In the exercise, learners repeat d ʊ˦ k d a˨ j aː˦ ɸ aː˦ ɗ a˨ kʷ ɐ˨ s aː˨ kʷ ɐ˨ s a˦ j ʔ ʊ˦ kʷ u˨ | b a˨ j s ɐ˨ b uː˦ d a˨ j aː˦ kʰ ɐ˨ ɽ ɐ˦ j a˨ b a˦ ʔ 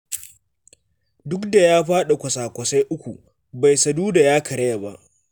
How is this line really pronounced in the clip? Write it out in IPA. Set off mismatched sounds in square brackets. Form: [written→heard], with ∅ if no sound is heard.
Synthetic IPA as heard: d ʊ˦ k d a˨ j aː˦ ɸ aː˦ ɗ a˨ kʷ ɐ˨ s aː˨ kʷ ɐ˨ s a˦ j ʔ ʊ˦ kʷ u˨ | b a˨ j s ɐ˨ [b→d] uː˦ d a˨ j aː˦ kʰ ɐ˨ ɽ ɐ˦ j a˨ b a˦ ʔ